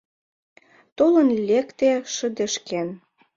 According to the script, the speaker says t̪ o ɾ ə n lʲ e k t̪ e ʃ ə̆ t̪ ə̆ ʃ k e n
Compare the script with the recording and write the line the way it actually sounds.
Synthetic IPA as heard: t̪ o l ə n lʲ e k t̪ e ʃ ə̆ d̪ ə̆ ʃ k e n